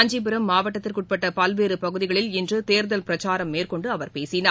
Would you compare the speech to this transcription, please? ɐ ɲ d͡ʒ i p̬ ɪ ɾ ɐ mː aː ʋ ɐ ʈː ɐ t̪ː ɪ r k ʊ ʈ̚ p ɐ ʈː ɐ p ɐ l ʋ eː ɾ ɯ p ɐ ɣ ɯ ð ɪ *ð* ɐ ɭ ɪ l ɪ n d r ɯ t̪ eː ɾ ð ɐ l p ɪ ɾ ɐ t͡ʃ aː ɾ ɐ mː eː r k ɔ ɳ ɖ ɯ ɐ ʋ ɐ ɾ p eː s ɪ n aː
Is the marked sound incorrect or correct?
incorrect